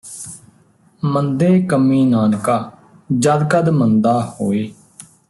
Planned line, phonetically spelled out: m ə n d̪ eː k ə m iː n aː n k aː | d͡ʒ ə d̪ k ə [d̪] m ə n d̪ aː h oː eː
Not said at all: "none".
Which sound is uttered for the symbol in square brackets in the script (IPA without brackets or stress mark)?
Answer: d̪